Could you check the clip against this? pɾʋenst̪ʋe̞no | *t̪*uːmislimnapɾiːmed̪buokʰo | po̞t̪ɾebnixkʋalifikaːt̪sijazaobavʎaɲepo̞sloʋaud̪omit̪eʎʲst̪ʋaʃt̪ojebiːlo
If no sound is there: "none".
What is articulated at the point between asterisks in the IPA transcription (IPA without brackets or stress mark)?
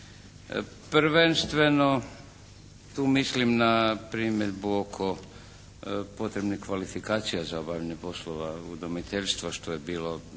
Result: t̪